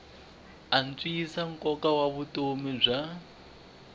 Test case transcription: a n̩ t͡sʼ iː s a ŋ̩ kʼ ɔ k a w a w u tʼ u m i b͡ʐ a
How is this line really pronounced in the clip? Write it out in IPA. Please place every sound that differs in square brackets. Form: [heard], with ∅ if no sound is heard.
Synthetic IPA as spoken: a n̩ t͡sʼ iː s a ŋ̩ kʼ ɔ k a w a [β] u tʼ [o] m i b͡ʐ a